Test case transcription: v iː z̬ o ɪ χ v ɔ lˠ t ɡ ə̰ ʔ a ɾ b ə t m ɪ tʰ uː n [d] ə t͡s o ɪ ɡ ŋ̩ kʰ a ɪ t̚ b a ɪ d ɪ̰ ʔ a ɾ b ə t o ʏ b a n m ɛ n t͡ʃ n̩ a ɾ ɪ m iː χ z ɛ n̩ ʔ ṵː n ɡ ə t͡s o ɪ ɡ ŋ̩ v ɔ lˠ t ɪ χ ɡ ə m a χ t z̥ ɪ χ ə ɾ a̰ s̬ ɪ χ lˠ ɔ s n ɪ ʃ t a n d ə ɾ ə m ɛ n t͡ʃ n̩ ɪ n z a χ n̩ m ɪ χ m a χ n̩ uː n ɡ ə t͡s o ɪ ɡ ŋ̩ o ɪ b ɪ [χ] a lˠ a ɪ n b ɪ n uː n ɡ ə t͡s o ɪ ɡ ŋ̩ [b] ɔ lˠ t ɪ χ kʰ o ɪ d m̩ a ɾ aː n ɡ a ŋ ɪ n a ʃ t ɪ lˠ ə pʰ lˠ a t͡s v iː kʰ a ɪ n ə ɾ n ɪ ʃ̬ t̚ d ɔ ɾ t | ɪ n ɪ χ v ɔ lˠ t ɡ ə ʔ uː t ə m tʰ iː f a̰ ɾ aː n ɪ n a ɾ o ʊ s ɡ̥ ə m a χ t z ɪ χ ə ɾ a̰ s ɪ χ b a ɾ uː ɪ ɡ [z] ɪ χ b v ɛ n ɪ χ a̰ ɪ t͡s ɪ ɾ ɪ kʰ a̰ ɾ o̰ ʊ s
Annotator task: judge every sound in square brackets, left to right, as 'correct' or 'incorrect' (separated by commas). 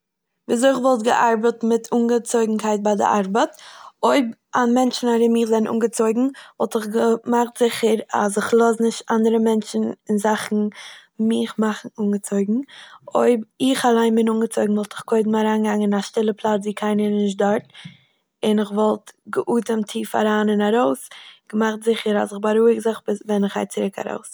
incorrect, correct, incorrect, correct